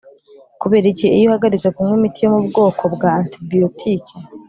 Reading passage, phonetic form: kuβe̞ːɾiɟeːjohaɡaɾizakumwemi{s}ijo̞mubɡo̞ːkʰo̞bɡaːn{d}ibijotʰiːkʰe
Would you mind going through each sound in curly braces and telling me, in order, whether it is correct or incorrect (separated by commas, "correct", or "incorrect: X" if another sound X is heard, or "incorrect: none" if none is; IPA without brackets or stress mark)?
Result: incorrect: t, incorrect: t